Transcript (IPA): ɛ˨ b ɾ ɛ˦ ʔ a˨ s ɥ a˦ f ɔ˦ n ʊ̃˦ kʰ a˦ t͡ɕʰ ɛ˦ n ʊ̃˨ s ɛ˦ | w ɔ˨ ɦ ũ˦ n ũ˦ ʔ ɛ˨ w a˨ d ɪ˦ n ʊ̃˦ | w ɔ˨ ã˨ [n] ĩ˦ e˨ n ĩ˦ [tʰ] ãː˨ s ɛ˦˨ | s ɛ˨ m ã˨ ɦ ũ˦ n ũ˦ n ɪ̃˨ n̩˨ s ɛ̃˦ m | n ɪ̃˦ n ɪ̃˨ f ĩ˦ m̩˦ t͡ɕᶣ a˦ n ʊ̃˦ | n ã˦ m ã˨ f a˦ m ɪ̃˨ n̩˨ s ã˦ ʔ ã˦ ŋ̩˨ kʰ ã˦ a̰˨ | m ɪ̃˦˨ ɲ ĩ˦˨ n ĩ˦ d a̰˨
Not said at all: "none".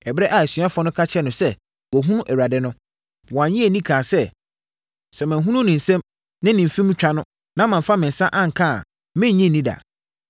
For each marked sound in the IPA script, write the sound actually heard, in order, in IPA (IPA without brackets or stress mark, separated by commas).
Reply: ɲ, kʰ